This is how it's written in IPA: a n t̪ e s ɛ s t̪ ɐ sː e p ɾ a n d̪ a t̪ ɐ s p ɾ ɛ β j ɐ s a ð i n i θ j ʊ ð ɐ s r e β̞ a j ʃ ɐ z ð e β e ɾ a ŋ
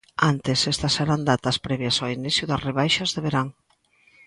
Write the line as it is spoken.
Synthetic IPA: a n t̪ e s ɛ s t̪ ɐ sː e ɾ a n d̪ a t̪ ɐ s p ɾ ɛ β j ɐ s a i n i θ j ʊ ð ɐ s r e β̞ a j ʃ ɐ z ð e β e ɾ a ŋ